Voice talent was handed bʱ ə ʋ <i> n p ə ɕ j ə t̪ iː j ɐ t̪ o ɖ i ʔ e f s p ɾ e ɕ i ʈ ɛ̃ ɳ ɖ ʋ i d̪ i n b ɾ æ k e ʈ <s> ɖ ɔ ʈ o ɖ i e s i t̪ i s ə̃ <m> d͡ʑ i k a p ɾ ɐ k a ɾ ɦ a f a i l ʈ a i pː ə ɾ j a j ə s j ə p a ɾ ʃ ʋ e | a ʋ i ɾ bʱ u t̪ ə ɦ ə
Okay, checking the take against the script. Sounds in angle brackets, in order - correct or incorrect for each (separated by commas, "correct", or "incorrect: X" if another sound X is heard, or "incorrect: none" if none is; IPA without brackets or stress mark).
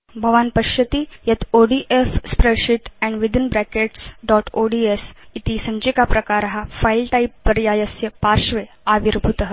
incorrect: a, correct, incorrect: ɲ